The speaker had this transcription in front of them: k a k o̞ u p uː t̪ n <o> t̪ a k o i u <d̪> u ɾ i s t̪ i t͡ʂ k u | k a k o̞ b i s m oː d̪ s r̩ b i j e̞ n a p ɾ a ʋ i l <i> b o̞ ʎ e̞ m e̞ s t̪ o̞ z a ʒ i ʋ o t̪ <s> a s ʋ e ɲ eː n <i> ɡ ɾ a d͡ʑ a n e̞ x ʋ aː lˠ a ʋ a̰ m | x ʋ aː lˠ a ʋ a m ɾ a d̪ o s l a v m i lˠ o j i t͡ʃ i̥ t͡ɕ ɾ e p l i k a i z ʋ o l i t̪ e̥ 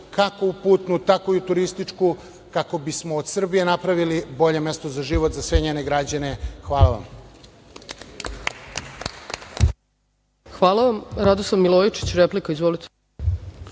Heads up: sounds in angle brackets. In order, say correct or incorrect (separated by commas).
incorrect, incorrect, correct, incorrect, incorrect